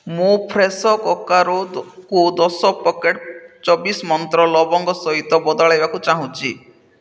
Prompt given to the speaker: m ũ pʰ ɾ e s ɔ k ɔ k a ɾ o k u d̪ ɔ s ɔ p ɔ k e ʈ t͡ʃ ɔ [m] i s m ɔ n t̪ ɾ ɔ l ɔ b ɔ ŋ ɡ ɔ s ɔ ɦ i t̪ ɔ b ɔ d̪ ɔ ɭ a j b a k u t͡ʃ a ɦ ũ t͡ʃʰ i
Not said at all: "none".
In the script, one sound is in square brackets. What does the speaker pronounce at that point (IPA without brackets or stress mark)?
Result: b